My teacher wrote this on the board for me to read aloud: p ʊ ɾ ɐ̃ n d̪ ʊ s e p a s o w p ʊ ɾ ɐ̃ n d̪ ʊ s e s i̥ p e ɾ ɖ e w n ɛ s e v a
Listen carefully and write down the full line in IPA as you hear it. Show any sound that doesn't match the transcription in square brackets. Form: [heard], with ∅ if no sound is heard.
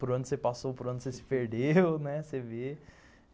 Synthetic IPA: p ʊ ɾ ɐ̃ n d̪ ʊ s e p a s o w p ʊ ɾ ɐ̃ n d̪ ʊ s e s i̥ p e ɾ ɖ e w n ɛ s e v [e]